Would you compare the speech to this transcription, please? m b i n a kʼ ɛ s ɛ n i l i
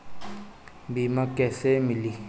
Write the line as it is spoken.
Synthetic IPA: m b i m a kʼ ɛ s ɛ m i l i